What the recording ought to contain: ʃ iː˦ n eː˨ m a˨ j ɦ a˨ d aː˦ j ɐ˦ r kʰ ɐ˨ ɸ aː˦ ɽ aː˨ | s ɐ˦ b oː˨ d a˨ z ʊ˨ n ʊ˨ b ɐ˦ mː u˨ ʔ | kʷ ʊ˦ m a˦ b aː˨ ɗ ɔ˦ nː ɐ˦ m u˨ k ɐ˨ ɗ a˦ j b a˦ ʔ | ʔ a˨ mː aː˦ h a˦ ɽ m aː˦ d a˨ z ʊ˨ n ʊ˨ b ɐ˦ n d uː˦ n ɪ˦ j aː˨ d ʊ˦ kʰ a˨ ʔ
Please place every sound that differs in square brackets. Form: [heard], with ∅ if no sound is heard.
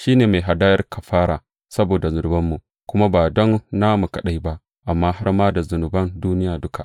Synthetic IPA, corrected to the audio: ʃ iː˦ n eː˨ m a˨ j ɦ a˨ d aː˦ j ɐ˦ r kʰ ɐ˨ ɸ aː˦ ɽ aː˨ | s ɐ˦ b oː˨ d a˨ z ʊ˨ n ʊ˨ b ɐ˦ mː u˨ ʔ | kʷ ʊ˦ m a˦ b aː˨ [d] ɔ˦ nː [a˦] m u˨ k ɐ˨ ɗ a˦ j b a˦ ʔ | ʔ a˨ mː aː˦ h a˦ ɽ m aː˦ d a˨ z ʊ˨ n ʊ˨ b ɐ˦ n d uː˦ n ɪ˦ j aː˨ d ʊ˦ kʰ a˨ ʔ